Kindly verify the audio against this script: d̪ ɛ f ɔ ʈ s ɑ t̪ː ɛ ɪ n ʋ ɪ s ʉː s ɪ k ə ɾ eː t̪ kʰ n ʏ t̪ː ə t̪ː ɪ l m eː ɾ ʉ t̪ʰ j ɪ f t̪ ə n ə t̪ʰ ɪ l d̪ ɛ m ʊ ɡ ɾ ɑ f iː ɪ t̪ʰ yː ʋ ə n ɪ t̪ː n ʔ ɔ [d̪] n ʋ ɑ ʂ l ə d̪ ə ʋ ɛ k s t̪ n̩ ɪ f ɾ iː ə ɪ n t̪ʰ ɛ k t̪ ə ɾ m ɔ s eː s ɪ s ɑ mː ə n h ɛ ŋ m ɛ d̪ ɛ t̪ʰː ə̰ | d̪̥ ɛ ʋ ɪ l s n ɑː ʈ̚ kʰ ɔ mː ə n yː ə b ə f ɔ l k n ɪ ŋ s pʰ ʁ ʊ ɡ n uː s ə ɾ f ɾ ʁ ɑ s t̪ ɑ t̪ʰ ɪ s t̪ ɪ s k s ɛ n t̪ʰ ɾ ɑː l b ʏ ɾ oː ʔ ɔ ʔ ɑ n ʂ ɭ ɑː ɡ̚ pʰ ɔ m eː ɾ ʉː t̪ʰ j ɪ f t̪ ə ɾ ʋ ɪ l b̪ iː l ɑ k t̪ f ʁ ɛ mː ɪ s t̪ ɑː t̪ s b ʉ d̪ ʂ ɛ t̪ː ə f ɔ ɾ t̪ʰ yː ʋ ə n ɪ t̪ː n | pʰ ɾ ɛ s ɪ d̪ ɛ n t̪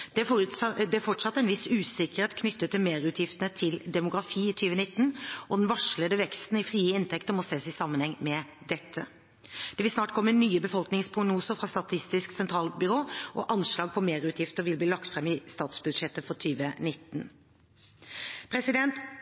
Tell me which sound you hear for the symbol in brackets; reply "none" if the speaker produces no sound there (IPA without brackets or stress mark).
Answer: d̪